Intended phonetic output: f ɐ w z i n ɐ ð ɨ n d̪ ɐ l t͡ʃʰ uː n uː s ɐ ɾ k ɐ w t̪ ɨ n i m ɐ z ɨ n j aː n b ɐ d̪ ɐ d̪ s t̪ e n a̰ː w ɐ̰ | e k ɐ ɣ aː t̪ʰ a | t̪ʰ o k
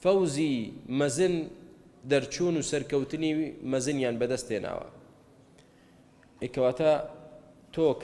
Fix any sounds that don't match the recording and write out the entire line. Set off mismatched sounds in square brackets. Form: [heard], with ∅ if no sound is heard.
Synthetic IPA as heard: f ɐ w z i [m] ɐ [z] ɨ n d̪ ɐ [ɾ] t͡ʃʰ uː n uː s ɐ ɾ k ɐ w t̪ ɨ n i m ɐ z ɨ n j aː n b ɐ d̪ ɐ [∅] s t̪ e n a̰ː w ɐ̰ | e k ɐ [w] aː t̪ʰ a | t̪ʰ o k